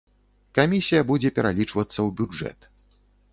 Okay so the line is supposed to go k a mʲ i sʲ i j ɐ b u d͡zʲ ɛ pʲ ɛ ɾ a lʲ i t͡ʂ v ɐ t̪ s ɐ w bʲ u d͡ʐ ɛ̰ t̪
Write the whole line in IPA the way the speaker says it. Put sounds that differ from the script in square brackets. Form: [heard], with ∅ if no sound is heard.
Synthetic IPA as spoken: k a mʲ i sʲ i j ɐ b u d͡zʲ ɛ pʲ ɛ ɾ a lʲ i t͡ʂ v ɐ t̪ [sː] ɐ w bʲ u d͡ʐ ɛ̰ t̪